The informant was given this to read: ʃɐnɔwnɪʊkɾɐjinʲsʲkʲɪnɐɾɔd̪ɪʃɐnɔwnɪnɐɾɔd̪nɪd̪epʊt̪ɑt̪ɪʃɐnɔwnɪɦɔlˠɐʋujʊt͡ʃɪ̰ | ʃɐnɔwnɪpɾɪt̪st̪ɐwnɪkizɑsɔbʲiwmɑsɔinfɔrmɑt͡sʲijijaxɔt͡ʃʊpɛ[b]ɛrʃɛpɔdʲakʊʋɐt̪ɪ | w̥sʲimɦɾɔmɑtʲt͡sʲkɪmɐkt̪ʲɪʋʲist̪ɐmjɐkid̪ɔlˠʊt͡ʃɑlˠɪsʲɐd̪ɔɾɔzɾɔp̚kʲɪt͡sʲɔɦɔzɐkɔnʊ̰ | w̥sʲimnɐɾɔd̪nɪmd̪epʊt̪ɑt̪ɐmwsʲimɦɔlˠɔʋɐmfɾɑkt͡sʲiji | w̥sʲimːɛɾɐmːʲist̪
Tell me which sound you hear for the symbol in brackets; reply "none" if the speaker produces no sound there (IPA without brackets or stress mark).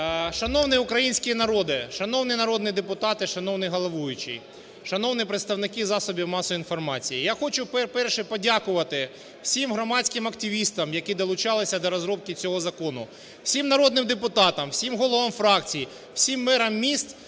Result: p